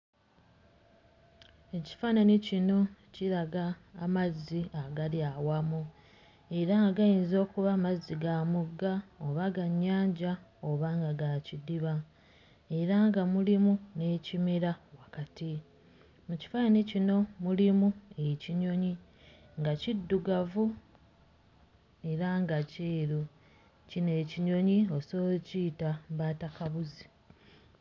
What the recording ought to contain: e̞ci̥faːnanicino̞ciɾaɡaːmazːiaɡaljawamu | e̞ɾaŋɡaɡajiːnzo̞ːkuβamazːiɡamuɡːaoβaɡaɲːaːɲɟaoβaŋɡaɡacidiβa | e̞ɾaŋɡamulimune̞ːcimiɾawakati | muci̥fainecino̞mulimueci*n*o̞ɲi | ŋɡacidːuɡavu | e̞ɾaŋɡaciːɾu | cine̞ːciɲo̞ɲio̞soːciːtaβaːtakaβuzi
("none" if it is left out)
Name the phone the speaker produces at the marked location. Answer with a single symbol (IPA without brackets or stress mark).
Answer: ɲ